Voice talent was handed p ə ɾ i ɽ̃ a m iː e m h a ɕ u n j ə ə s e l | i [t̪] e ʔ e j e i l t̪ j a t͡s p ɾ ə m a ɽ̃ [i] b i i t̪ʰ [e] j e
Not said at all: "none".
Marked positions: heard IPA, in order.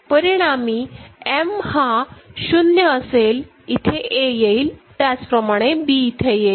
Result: t̪ʰ, e, e

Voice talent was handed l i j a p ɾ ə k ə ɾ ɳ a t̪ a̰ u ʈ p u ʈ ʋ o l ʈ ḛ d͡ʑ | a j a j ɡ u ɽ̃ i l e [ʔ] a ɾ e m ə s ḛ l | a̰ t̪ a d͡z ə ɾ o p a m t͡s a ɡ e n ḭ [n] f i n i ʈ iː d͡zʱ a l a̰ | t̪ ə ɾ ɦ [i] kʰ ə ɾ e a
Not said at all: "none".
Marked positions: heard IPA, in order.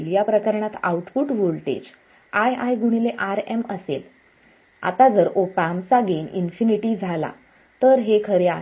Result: ʔ, n, e

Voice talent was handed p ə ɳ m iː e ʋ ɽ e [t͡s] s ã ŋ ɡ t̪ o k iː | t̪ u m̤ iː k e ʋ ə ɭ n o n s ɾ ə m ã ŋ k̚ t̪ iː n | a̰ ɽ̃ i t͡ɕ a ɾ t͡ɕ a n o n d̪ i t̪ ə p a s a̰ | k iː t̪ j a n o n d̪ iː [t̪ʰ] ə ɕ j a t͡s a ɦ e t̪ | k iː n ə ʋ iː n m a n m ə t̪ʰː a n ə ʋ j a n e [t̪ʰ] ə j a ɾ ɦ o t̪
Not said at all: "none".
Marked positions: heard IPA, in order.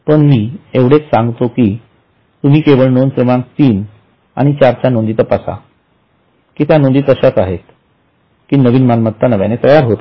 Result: t͡s, t̪, t̪

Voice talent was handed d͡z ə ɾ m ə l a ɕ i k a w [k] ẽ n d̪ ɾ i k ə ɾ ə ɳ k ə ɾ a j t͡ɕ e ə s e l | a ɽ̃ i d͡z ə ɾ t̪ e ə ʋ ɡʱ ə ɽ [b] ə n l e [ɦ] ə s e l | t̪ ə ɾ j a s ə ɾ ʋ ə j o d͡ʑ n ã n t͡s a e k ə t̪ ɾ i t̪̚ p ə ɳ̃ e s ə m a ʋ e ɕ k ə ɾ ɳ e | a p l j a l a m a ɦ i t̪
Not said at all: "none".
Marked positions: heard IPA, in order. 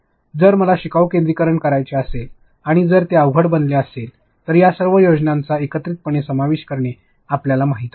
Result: k, b, none

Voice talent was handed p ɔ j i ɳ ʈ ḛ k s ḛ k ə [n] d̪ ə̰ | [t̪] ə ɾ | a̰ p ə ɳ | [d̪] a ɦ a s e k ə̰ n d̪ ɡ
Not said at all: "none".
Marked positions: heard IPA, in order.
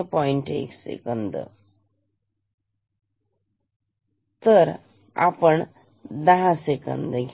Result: n, t̪, d̪

